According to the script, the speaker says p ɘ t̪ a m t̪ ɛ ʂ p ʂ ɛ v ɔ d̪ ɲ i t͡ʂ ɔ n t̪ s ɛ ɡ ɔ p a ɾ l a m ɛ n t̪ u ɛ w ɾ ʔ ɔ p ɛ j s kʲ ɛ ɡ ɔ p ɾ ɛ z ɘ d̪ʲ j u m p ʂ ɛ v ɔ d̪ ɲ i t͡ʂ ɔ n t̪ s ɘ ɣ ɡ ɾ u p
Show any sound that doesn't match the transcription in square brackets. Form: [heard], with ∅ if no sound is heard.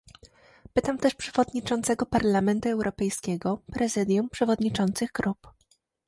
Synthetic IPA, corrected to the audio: p ɘ t̪ a m t̪ ɛ ʂ p ʂ ɛ v ɔ d̪ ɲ i t͡ʂ ɔ n t̪ s ɛ ɡ ɔ p a ɾ l a m ɛ n t̪ u ɛ w ɾ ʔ ɔ p ɛ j s kʲ ɛ ɡ ɔ p ɾ ɛ z ɘ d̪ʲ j u m p ʂ ɛ v ɔ d̪ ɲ i t͡ʂ ɔ n t̪ s ɘ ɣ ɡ ɾ u p